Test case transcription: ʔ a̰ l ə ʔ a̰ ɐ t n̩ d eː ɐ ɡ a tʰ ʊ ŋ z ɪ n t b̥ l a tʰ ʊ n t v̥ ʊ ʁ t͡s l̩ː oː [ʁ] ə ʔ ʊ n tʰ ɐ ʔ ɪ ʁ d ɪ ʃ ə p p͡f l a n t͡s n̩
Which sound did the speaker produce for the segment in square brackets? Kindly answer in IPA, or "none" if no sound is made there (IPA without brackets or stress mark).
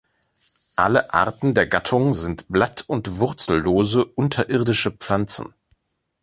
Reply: z